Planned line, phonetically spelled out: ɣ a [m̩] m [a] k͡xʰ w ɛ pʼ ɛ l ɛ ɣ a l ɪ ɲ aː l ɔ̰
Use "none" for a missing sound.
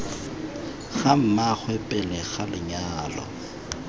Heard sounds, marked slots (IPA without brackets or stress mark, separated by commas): m̩, a